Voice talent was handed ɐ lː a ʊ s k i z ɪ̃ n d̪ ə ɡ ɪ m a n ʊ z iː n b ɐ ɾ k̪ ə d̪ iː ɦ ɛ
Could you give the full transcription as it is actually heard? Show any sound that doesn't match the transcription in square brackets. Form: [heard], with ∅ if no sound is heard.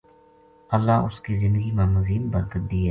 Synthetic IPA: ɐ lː a ʊ s k i z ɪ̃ n d̪ ə ɡ [i] m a [m] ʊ z iː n b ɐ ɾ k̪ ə d̪ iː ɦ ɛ